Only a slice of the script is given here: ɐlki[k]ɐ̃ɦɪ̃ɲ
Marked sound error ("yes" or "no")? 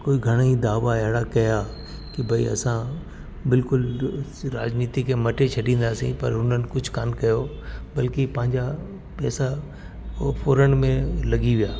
yes